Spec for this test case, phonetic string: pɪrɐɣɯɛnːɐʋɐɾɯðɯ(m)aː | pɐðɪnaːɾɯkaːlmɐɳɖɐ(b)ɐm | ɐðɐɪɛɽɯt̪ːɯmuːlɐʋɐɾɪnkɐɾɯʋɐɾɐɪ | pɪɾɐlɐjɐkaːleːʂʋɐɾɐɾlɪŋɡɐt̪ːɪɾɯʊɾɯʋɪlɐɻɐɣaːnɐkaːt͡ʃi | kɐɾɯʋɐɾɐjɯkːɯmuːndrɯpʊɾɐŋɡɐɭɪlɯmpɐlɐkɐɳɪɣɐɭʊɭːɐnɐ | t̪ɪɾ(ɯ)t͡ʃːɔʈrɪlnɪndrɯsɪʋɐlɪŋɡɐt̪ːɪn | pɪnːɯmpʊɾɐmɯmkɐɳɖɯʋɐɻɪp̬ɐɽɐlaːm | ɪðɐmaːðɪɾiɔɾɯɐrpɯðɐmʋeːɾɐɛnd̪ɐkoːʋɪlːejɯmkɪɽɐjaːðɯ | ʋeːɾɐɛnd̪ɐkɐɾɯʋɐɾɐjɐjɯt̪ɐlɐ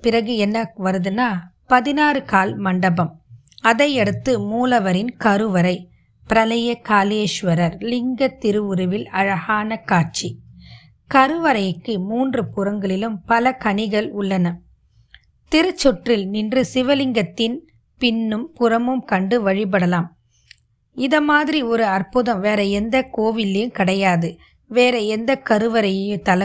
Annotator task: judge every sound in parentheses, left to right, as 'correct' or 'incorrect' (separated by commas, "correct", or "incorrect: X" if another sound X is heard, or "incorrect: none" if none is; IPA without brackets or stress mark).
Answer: incorrect: n, correct, correct